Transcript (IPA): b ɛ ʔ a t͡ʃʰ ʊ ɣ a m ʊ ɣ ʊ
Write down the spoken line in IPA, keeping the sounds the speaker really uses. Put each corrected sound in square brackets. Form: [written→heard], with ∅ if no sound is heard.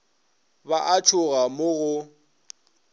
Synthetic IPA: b [ɛ→a] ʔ a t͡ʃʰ ʊ ɣ a m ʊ ɣ ʊ